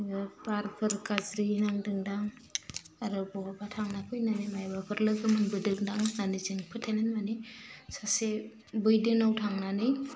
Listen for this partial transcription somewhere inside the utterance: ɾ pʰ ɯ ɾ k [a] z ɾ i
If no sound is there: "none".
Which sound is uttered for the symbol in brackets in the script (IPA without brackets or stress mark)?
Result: a